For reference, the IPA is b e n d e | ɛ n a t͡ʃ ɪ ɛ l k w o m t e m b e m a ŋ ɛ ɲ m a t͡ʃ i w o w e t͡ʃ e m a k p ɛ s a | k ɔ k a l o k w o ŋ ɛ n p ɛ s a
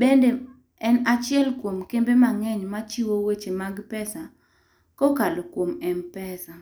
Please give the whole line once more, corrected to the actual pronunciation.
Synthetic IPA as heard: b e n d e | ɛ n a t͡ʃ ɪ ɛ l k w o m k e m b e m a ŋ ɛ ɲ m a t͡ʃ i w o w e t͡ʃ e m a ɡ p ɛ s a | k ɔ k a l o k w o m ɛ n p ɛ s a